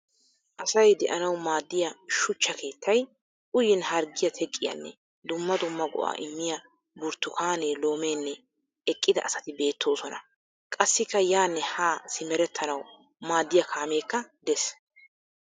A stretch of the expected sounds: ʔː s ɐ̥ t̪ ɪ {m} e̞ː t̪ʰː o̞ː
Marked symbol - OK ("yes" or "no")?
no